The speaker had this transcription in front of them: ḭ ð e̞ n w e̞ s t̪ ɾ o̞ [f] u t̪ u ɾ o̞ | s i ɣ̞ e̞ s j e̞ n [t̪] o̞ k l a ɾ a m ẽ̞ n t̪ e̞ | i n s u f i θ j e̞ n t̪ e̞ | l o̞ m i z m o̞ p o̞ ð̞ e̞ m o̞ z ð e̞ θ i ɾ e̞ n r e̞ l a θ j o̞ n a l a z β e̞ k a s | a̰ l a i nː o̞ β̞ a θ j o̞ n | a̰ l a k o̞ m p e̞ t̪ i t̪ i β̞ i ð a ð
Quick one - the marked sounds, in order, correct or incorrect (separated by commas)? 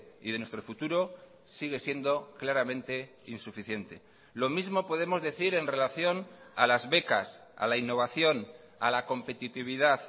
correct, incorrect